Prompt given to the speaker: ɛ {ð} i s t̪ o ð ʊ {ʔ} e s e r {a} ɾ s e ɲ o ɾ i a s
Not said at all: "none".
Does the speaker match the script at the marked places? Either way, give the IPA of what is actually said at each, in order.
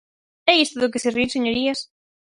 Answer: none, k, i

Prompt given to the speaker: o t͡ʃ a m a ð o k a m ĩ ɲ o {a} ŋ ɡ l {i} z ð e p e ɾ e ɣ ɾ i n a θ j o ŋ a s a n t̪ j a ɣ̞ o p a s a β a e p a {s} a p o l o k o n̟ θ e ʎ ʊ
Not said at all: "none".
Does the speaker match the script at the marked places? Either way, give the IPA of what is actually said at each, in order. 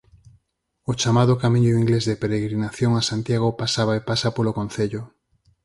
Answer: i, e, s

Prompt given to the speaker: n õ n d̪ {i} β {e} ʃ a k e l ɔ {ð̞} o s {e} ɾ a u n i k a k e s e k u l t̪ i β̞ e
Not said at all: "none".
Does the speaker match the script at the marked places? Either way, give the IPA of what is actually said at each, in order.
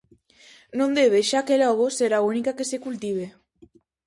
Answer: e, e, ɣ̞, e

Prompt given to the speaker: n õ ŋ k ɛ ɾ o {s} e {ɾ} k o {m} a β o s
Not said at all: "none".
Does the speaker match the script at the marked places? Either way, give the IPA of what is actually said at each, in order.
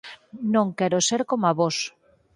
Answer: s, ɾ, m

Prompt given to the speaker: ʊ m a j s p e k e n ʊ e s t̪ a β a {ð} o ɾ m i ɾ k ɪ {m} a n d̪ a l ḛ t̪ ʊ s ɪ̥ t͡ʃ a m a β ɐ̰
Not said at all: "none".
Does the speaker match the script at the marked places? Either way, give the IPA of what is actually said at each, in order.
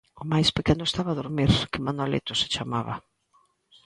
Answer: ð, m

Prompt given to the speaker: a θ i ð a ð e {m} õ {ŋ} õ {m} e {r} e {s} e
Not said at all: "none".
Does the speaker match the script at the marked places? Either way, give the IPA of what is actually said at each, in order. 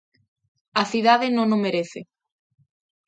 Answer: n, n, m, ɾ, θ

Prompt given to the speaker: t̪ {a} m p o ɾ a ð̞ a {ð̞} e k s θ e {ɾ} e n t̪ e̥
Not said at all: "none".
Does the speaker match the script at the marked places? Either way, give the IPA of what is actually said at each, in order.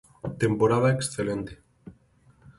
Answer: e, none, l

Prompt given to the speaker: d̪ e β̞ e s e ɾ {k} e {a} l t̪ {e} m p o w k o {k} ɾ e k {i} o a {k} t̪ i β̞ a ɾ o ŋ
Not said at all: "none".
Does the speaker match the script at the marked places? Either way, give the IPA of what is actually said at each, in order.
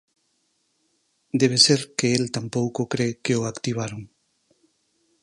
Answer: k, e, a, k, e, k

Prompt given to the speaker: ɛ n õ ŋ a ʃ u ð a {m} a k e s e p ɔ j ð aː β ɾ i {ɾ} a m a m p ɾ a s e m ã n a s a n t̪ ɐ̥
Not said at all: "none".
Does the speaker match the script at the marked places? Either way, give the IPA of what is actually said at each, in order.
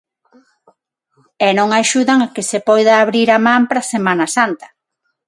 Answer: ŋ, ɾ

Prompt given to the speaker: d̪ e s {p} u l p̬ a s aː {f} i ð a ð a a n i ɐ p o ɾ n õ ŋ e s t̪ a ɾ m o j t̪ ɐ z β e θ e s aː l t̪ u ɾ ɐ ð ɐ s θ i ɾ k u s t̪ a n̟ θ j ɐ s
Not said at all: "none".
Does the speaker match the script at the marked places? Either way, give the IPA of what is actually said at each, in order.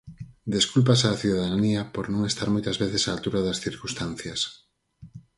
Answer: k, θ

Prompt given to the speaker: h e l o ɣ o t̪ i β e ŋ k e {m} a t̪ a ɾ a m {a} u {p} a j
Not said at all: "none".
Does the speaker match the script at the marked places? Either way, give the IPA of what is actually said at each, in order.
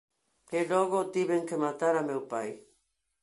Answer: m, e, p

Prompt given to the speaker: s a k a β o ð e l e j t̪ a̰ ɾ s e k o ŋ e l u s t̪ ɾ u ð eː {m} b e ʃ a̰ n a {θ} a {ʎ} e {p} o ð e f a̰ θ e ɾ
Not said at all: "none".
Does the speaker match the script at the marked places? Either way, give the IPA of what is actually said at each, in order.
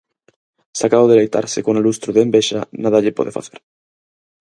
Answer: m, ð, ʎ, p

